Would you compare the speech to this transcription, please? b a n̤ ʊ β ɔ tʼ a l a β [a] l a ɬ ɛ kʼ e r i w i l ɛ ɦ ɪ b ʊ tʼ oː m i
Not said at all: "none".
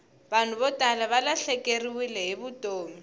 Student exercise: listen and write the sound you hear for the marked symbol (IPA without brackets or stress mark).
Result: a